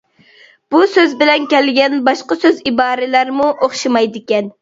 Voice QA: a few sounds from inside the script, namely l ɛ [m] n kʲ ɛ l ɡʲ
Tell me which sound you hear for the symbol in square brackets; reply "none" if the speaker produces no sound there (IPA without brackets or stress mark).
none